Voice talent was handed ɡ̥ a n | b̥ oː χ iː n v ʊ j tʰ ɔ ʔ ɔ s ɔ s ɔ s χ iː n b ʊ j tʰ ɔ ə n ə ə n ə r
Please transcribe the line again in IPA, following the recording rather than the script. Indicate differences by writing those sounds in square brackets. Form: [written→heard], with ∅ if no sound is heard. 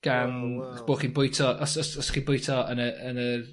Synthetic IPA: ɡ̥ a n | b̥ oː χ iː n [v→b] ʊ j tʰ ɔ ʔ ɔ s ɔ s ɔ s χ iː n b ʊ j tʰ ɔ ə n ə ə n ə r